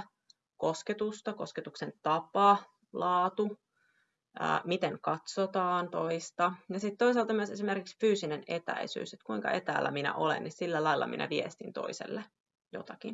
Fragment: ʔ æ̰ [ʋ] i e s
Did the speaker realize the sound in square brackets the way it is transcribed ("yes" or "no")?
yes